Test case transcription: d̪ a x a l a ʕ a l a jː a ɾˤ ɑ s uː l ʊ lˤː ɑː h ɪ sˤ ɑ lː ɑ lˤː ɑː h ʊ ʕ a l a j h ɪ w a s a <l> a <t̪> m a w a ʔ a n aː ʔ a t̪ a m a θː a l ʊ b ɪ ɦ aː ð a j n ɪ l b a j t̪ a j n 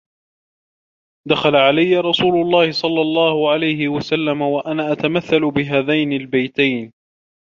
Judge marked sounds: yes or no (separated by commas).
no, no